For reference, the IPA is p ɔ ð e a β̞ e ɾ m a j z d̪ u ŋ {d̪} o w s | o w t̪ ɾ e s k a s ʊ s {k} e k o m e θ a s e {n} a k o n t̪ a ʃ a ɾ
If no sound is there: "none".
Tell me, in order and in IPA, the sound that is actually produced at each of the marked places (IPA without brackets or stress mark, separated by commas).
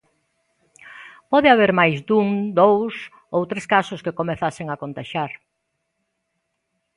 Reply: d̪, k, ŋ